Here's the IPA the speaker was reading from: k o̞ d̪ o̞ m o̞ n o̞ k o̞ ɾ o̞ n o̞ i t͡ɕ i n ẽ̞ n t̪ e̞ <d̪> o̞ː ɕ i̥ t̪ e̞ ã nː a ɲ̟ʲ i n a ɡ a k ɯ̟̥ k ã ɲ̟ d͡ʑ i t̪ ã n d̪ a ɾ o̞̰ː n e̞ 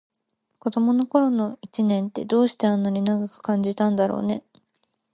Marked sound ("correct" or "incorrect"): correct